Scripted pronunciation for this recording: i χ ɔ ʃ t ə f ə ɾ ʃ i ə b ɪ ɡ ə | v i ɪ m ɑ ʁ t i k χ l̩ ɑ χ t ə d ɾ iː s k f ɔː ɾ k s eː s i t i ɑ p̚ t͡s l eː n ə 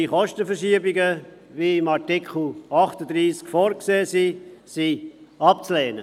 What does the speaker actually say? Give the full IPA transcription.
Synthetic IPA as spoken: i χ ɔ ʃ t ə f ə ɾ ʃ i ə b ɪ ɡ ə | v i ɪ m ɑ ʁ t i k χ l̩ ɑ χ t ə d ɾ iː s k f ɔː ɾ k s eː s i s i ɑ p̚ t͡s l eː n ə